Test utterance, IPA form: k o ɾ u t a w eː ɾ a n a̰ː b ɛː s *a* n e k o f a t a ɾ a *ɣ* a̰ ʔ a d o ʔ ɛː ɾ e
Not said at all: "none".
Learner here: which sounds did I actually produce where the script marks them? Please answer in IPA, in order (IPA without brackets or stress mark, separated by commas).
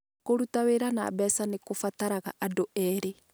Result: a, ɣ